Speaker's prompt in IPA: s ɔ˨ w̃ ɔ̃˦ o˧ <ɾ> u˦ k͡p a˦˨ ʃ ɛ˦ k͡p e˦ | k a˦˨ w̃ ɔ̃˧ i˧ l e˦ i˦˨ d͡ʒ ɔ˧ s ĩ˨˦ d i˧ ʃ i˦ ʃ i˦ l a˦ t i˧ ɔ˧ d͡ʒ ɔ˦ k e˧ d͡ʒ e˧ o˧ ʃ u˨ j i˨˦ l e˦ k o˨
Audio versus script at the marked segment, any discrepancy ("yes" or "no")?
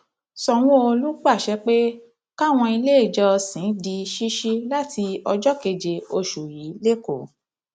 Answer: yes